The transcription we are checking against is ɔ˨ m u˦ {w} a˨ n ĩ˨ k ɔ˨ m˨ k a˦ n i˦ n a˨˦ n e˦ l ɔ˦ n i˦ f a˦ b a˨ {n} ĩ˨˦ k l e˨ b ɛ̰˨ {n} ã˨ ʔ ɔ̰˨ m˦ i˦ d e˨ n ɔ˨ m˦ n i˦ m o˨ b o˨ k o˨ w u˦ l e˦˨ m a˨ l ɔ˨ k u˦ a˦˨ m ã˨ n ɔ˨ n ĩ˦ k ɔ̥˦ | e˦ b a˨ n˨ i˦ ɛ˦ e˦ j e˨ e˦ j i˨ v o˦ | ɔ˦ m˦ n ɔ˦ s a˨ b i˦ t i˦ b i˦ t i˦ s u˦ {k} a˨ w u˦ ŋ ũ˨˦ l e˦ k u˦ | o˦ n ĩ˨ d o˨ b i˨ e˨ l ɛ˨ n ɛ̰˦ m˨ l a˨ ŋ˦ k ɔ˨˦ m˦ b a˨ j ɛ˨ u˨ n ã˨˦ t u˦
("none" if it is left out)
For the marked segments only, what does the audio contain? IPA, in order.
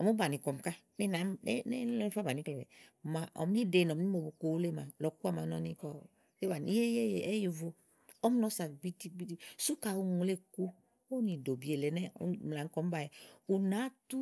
b, n, m, k

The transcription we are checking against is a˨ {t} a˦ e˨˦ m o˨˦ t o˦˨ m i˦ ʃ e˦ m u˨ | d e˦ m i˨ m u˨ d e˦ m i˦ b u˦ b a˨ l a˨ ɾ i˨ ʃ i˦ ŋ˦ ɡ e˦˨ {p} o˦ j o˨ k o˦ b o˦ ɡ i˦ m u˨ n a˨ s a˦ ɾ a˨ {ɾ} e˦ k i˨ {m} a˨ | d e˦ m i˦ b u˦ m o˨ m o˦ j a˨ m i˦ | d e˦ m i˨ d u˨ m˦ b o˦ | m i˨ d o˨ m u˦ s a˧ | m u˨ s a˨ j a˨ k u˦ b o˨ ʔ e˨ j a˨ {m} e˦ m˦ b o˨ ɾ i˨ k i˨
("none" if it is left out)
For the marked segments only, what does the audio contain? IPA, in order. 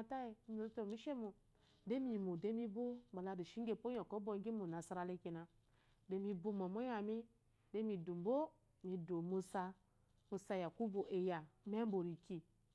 t, p, l, n, m

